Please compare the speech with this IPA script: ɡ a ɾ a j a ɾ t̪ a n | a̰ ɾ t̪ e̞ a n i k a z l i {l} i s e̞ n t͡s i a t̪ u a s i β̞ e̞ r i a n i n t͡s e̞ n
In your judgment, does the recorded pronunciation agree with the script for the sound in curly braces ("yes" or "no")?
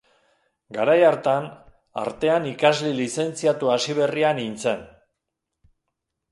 yes